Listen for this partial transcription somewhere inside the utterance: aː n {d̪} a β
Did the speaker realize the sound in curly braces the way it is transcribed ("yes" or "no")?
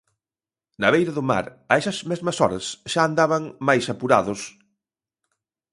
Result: yes